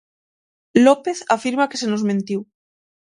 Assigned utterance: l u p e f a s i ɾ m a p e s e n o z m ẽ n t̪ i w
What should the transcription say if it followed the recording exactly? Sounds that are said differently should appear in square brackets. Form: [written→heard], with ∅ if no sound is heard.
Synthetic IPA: l [u→o] p e [f→θ] a [s→f] i ɾ m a [p→k] e s e n o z m ẽ n t̪ i w